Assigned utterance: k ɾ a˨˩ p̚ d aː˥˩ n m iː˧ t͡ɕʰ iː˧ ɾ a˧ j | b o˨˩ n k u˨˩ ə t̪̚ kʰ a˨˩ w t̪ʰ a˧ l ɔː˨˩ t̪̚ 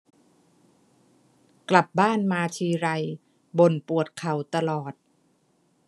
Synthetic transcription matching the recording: k l a˨˩ p̚ b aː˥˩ n m aː˧ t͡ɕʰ iː˧ ɾ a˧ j | b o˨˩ n p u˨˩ ə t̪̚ kʰ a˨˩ w t̪ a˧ l ɔː˨˩ t̪̚